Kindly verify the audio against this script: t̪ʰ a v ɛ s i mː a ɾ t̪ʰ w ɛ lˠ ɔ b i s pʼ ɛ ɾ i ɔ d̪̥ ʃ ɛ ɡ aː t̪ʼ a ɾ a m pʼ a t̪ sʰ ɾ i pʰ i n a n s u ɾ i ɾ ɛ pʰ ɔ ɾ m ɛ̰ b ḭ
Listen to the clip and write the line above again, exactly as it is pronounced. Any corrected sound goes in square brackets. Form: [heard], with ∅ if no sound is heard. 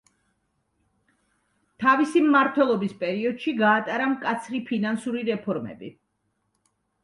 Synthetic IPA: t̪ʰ a v [i] s i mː a ɾ t̪ʰ w ɛ lˠ ɔ b i s pʼ ɛ ɾ i ɔ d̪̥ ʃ [i] ɡ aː t̪ʼ a ɾ a m [kʼ] a t̪ sʰ ɾ i pʰ i n a n s u ɾ i ɾ ɛ pʰ ɔ ɾ m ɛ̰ b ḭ